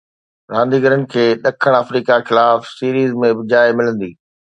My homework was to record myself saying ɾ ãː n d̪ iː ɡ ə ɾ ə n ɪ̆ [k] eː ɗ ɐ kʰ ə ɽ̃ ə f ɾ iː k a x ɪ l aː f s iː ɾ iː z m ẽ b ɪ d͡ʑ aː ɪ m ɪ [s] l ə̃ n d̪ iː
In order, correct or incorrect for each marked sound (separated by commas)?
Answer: incorrect, incorrect